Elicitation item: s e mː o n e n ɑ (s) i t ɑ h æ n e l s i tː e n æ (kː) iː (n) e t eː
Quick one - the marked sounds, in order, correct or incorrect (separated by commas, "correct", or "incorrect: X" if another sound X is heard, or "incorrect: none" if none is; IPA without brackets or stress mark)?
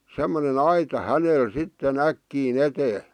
incorrect: none, correct, correct